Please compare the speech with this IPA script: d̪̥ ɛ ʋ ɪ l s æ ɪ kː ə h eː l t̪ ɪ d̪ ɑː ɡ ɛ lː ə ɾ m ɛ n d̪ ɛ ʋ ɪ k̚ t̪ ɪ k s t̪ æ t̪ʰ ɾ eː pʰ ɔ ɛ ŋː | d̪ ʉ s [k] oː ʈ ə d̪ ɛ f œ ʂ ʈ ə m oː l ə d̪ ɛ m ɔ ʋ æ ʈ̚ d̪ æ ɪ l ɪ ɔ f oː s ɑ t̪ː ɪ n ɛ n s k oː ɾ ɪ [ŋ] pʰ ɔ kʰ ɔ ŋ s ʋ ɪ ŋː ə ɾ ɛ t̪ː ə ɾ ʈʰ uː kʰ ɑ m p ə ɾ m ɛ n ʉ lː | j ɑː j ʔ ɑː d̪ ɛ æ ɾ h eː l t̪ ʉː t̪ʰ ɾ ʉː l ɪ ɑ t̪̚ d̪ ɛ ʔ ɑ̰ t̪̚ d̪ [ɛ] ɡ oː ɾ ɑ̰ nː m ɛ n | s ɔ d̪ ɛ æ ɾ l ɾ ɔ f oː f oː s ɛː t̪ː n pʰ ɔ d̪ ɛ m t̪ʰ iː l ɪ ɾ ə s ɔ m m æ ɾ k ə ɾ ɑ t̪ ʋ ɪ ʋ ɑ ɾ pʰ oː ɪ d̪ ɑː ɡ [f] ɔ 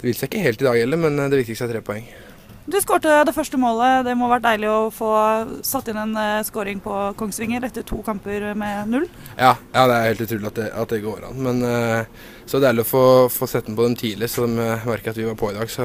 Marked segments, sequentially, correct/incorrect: correct, correct, correct, incorrect: s

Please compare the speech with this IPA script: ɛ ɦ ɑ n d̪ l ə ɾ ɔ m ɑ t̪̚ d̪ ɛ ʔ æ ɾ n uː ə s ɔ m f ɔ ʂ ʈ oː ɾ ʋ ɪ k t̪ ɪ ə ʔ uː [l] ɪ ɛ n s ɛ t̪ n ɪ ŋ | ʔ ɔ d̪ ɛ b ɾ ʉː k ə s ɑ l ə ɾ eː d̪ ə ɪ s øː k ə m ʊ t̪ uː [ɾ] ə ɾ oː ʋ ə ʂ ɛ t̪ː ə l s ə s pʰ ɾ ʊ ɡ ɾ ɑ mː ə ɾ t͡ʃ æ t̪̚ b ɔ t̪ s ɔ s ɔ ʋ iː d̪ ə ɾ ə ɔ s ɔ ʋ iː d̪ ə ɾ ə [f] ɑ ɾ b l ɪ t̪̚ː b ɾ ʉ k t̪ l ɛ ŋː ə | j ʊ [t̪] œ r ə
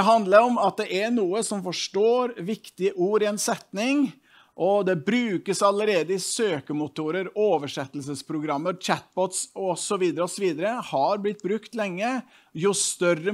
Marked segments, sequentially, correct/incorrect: incorrect: ɾ, correct, incorrect: h, correct

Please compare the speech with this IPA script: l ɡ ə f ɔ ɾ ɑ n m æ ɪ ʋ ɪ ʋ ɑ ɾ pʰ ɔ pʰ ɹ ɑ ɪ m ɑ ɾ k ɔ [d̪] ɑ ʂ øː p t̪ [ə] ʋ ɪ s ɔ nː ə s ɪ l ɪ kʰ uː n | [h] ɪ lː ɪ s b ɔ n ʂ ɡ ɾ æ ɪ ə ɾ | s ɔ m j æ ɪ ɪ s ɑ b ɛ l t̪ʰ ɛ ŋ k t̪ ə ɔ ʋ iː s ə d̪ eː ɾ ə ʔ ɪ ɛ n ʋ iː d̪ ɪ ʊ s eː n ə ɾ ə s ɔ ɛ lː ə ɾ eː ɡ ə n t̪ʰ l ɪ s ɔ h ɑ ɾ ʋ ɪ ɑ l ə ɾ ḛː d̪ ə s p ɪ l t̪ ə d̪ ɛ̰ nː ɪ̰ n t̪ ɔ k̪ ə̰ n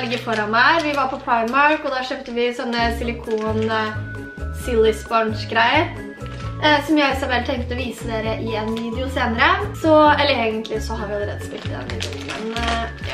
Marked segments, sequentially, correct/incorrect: correct, correct, incorrect: s

